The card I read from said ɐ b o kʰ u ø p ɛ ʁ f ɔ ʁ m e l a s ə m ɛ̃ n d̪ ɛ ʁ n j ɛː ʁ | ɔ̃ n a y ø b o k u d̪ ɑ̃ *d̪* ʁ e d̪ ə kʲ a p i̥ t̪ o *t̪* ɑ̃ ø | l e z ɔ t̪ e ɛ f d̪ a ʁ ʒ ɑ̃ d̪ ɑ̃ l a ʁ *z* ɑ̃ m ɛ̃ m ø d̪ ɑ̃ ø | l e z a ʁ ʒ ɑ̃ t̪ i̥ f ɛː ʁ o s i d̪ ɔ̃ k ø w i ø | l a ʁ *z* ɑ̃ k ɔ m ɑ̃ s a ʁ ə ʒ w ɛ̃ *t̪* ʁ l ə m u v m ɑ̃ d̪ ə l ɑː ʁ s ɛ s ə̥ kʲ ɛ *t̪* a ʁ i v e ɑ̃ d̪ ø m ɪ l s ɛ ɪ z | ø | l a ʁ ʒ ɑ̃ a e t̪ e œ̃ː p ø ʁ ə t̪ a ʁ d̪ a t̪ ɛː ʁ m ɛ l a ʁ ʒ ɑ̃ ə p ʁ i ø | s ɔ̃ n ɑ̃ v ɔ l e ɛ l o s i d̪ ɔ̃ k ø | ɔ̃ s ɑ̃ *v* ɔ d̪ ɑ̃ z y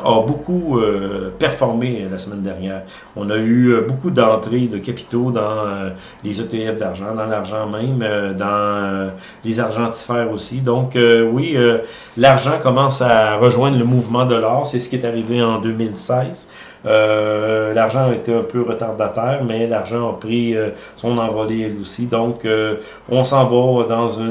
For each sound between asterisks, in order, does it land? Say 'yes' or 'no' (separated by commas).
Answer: no, no, no, no, no, yes, yes